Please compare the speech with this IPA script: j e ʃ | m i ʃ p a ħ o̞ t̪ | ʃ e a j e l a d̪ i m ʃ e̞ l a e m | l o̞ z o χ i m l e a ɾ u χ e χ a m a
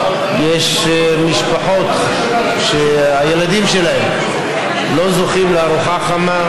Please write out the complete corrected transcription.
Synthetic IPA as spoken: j e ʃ | m i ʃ p a ħ o̞ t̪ | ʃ e a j e l a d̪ i m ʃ e̞ l a e m | l o̞ z o χ i m l e a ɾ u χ a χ a m a